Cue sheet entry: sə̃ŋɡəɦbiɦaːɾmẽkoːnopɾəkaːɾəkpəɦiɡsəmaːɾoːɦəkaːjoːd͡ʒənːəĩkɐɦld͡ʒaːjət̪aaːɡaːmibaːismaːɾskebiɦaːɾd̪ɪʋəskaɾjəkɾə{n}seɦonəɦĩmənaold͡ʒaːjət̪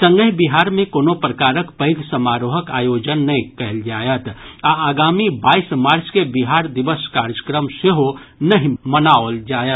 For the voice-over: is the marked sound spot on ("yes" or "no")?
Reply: no